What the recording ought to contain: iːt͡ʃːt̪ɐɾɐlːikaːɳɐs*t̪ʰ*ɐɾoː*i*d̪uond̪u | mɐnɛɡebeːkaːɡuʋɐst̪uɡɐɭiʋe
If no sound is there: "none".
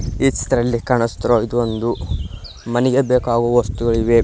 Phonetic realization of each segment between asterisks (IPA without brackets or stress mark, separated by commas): t̪, i